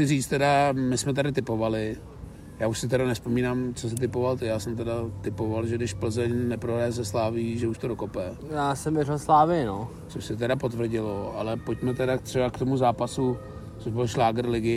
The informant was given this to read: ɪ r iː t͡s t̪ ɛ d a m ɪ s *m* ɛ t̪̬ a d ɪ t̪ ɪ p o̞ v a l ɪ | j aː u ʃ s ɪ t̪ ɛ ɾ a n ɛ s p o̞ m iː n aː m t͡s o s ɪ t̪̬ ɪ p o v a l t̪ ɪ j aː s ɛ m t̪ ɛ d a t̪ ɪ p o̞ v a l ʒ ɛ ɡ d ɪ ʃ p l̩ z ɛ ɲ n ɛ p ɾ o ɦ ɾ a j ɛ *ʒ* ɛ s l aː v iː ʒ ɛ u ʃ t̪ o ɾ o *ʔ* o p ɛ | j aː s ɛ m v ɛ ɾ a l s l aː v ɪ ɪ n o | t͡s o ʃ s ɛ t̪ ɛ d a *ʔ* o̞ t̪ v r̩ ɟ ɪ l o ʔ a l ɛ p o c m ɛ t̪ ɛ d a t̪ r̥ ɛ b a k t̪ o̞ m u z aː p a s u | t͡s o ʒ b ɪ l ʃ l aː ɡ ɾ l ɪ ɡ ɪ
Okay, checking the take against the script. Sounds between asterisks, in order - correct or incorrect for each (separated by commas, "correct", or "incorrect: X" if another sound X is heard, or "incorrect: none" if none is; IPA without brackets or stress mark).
correct, incorrect: z, incorrect: k, incorrect: p